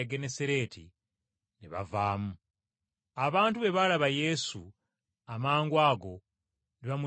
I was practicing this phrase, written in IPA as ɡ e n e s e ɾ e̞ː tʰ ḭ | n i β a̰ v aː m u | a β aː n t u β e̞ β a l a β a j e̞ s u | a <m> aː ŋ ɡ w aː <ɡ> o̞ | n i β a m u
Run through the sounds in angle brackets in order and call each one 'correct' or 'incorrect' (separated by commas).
correct, correct